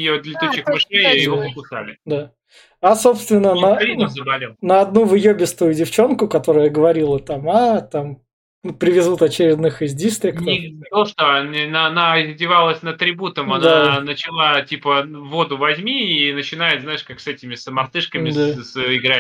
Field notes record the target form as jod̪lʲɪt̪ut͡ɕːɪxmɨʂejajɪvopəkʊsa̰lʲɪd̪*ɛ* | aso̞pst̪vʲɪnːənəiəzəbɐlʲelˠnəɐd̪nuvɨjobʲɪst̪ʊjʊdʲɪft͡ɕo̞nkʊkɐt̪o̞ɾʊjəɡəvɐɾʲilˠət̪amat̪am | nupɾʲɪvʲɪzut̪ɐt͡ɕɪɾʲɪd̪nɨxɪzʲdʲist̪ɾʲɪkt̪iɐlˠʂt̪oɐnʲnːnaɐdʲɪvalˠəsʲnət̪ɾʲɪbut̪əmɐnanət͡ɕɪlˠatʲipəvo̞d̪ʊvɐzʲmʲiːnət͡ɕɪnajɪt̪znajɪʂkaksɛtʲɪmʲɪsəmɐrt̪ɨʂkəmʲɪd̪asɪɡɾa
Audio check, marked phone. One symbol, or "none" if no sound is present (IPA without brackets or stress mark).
a